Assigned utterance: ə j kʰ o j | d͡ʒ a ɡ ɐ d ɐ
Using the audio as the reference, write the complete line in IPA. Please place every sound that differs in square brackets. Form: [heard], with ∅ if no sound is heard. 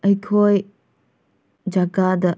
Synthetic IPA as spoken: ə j kʰ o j | d͡ʒ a ɡ [a] d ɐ

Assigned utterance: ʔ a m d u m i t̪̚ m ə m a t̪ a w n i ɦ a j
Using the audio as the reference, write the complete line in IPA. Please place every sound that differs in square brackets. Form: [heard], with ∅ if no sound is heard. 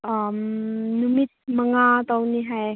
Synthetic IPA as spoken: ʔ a m [n] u m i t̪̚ m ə [ŋ] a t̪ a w n i ɦ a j

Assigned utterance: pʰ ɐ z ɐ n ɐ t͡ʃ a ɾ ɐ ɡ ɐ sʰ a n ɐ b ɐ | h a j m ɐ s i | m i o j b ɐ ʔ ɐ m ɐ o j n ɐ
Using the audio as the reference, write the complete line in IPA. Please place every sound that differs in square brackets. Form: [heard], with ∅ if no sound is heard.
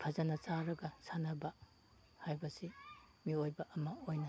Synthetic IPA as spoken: pʰ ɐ z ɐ n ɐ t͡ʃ a ɾ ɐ ɡ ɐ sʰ a n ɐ b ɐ | h a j [b] ɐ s i | m i o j b ɐ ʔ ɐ m ɐ o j n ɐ

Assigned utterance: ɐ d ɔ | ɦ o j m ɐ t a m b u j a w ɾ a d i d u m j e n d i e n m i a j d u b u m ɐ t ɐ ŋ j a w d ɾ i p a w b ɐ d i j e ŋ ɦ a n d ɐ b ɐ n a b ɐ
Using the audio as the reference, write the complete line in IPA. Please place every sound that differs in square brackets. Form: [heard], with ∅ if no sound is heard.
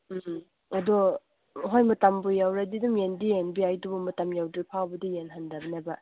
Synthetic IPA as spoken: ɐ d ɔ | ɦ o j m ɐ t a m b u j a w ɾ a d i d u m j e n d i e n [b] i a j d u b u m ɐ t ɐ [m] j a w d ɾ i [pʰ] a w b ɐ d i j e [n] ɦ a n d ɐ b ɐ n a b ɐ

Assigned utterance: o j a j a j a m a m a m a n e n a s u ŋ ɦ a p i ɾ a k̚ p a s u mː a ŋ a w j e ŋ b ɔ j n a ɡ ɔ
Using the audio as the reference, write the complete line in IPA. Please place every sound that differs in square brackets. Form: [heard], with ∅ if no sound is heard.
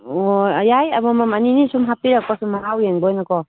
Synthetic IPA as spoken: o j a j a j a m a m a m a n [i] n [i] s u [m] ɦ a p i ɾ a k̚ p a s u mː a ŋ a w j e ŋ b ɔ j n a [k] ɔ

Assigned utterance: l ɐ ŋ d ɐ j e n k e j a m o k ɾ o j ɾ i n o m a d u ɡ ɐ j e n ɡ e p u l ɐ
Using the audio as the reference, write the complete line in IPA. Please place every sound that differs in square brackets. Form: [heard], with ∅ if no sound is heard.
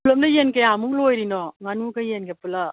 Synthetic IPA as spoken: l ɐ [m] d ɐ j e n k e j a m [u] k [l] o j ɾ i n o [ŋ] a [n] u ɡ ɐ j e n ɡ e p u l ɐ

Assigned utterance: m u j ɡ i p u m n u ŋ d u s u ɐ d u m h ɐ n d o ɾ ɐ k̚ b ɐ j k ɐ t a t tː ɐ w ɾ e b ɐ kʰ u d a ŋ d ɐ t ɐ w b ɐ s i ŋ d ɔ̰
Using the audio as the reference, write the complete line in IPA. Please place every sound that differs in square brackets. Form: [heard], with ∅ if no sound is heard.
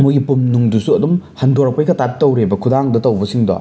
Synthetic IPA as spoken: m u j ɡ i p u m n u ŋ d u s u ɐ d u m h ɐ n d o ɾ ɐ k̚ [p] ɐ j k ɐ t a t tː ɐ w ɾ e b ɐ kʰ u d a ŋ d ɐ t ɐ w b ɐ s i ŋ d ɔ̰

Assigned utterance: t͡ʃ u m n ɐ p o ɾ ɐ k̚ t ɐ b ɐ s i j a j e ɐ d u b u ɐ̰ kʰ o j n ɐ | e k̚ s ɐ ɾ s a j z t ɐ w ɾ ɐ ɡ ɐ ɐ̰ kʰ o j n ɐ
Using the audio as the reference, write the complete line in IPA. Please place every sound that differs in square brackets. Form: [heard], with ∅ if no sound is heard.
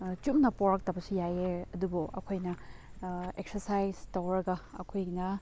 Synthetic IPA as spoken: t͡ʃ u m n ɐ p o ɾ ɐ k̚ t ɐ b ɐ s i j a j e ɐ d u b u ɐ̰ kʰ o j n ɐ | e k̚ s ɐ ɾ s a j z t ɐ w ɾ ɐ ɡ ɐ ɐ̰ kʰ o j n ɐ

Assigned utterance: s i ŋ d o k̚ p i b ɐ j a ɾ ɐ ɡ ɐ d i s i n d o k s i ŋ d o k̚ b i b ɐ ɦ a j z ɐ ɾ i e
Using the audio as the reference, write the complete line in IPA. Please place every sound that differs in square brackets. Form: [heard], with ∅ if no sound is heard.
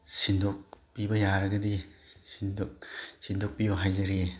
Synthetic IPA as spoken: s i [n] d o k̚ p i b ɐ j a ɾ ɐ ɡ ɐ d i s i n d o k s i [n] d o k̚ [p] i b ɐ ɦ a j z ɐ ɾ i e

